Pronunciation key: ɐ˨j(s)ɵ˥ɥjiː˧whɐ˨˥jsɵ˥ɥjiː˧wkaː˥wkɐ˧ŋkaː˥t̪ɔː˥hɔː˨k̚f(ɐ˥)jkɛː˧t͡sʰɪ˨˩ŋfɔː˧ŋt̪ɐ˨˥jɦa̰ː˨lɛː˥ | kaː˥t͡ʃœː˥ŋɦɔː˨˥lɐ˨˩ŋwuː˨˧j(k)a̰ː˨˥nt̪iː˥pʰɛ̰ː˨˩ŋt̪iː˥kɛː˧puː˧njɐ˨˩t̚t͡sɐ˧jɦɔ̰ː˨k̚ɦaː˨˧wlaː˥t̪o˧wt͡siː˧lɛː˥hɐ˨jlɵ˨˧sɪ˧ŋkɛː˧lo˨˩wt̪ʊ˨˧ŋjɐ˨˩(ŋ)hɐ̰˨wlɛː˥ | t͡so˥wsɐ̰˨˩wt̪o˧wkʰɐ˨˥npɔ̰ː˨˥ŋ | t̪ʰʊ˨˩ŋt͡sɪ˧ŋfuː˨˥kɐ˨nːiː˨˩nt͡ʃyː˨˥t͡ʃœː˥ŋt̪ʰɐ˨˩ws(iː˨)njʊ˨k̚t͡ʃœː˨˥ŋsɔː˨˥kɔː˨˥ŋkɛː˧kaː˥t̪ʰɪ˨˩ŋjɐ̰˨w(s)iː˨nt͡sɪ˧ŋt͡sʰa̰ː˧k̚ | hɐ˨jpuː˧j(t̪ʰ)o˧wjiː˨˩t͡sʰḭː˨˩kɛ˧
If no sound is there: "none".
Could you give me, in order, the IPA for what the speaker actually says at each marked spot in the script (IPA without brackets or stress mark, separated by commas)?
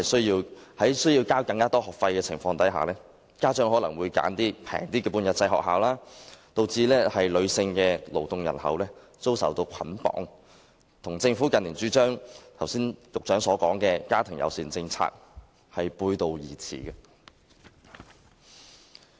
s, ɐ˧, k, n, iː˥, s, t̪